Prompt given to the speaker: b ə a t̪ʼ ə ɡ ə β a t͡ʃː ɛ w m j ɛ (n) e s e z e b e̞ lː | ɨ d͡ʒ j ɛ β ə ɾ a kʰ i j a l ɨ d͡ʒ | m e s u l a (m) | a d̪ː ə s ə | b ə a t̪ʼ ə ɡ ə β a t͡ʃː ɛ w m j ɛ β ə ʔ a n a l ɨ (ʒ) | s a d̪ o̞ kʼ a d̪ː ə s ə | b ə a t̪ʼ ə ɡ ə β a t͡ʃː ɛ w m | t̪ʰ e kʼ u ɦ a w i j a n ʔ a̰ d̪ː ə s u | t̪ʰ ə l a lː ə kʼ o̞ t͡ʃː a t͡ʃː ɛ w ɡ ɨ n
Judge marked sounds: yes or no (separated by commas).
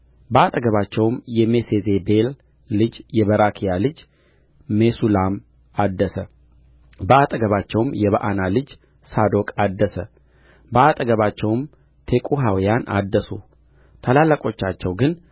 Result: no, yes, no